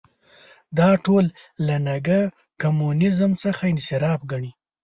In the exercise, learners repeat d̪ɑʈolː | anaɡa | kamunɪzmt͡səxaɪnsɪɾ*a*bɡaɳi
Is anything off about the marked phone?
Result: yes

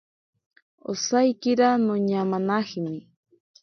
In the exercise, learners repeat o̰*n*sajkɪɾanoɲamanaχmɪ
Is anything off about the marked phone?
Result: yes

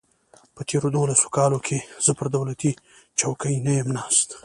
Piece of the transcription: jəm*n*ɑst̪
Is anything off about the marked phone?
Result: no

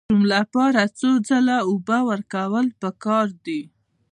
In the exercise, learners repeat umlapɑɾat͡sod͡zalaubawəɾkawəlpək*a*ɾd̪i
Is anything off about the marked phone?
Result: yes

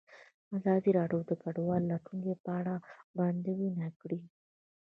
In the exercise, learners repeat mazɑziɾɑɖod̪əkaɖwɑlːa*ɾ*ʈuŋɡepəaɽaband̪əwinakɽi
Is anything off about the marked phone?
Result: yes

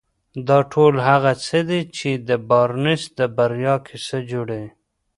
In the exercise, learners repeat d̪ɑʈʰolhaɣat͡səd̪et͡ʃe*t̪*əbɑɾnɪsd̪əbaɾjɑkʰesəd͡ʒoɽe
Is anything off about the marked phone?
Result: yes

